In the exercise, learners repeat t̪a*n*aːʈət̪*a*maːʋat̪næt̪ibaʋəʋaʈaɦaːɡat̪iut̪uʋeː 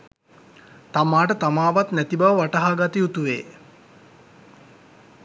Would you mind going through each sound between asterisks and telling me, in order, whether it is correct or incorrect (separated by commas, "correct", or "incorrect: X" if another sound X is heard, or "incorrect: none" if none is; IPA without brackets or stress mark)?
incorrect: m, correct